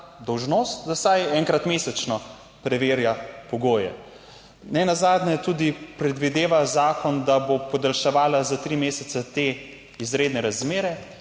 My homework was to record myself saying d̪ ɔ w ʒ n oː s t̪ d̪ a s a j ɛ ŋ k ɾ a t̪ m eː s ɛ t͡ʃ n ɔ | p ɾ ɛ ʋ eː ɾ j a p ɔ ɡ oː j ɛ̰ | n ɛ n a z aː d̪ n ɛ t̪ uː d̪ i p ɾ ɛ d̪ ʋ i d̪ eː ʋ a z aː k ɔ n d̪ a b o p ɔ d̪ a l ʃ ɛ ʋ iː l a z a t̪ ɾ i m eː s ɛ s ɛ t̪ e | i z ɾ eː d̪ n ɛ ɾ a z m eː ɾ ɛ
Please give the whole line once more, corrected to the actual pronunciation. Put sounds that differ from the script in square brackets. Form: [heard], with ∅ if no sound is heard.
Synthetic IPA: d̪ ɔ w ʒ n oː s t̪ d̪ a s a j ɛ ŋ k ɾ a t̪ m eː s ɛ t͡ʃ n ɔ | p ɾ ɛ ʋ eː ɾ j a p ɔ ɡ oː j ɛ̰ | n ɛ n a z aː d̪ n ɛ t̪ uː d̪ i p ɾ ɛ d̪ ʋ i d̪ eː ʋ a z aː k ɔ n d̪ a b o p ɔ d̪ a l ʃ ɛ ʋ [aː] l a z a t̪ ɾ i m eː s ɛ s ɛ t̪ e | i z ɾ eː d̪ n ɛ ɾ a z m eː ɾ ɛ

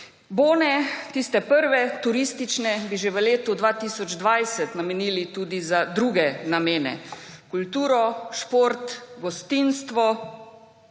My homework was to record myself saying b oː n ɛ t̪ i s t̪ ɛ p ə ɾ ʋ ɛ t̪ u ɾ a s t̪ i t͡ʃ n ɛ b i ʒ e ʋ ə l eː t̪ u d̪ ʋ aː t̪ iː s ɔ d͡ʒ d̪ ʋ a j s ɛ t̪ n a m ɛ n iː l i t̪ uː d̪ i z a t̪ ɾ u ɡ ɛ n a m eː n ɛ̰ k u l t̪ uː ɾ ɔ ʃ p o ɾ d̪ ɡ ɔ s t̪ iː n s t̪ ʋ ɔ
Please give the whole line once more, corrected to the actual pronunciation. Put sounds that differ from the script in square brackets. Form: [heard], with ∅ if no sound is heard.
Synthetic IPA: b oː n ɛ t̪ i s t̪ ɛ p ə ɾ ʋ ɛ t̪ u ɾ [i] s t̪ i t͡ʃ n ɛ b i ʒ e ʋ ə l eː t̪ u d̪ ʋ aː t̪ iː s ɔ d͡ʒ d̪ ʋ a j s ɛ t̪ n a m ɛ n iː l i t̪ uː d̪ i z a [d̪] ɾ u ɡ ɛ n a m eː n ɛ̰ k u l t̪ uː ɾ ɔ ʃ p o ɾ [t̪] ɡ ɔ s t̪ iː n s t̪ ʋ ɔ

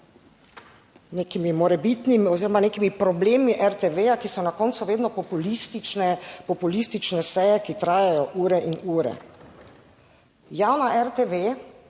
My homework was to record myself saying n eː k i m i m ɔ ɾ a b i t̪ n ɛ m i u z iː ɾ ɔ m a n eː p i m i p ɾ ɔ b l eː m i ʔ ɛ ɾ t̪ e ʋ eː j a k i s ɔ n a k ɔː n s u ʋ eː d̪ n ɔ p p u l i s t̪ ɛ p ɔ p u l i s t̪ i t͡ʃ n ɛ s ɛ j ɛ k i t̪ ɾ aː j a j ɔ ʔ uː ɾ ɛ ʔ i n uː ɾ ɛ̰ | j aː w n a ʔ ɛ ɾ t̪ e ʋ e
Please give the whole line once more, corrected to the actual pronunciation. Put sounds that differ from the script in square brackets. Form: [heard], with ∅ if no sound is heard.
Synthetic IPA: n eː k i m i m ɔ ɾ [ɛ] b i t̪ n [i] m i [ɔ] z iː ɾ ɔ m a n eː [k] i m i p ɾ ɔ b l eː m i ʔ ɛ ɾ t̪ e ʋ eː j a k i s ɔ n a k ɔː n s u ʋ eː d̪ n ɔ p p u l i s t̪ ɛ p ɔ p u l i s t̪ i t͡ʃ n ɛ s ɛ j ɛ k i t̪ ɾ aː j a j ɔ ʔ uː ɾ ɛ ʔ i n uː ɾ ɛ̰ | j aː w n a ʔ ɛ ɾ t̪ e ʋ e

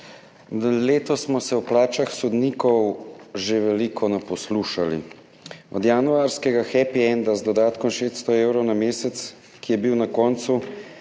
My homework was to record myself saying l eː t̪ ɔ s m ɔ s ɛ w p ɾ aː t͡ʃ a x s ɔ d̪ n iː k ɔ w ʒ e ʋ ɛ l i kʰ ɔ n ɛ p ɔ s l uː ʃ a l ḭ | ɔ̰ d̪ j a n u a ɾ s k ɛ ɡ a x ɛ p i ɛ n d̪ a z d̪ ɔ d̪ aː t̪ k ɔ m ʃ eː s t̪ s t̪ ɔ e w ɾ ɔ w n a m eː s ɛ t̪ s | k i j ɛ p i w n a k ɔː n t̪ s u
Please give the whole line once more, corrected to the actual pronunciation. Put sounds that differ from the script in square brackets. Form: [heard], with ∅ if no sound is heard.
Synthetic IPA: l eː t̪ ɔ s m ɔ s ɛ w p [l] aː t͡ʃ a x s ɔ d̪ n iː k ɔ w ʒ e ʋ ɛ l i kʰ ɔ n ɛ p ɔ s l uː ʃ a l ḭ | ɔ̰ d̪ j a n u a ɾ s k ɛ ɡ a x ɛ p i ɛ n d̪ a z d̪ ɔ d̪ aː t̪ k ɔ m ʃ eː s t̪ s t̪ ɔ e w ɾ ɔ w n a m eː s ɛ t̪ s | k i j ɛ [b] i w n a k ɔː n t̪ s u

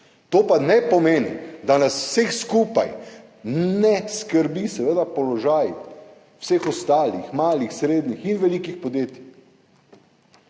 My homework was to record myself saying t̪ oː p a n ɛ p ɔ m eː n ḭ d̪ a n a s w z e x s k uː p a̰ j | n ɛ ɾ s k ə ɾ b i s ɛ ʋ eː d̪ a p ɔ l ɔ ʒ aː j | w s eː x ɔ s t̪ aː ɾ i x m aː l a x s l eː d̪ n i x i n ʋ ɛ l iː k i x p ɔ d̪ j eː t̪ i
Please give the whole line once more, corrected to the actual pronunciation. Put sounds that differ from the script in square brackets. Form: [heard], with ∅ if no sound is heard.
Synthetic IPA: t̪ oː p a n ɛ p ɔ m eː n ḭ d̪ a n a s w [s] e x s k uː p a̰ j | n ɛ [∅] s k ə ɾ b i s ɛ ʋ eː d̪ a p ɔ l ɔ ʒ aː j | w s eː x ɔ s t̪ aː [l] i x m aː l [i] x s [ɾ] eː d̪ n i x i n ʋ ɛ l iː k i x p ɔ d̪ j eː t̪ i

